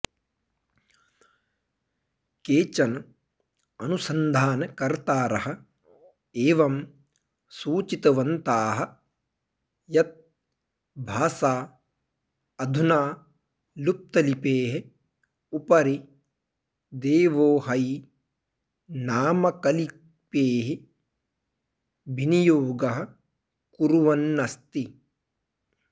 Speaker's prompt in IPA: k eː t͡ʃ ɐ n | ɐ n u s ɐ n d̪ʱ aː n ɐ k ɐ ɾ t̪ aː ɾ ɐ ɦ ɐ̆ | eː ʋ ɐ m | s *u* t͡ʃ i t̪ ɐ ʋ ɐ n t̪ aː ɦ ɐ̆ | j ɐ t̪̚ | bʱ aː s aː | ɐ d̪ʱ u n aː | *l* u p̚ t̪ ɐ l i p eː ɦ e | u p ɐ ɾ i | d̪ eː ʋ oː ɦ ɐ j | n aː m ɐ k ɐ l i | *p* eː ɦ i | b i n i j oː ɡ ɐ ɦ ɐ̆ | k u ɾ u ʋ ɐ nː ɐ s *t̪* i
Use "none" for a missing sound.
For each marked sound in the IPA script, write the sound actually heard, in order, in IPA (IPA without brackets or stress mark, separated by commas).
uː, l, p, t̪